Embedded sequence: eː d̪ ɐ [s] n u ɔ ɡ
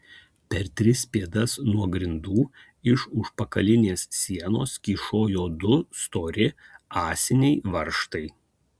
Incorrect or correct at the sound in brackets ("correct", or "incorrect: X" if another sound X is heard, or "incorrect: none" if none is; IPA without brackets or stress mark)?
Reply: correct